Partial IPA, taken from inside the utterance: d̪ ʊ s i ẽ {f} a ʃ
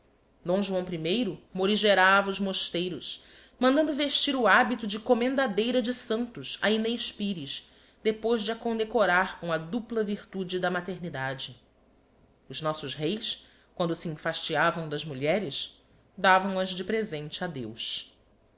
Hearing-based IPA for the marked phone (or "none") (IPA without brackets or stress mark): f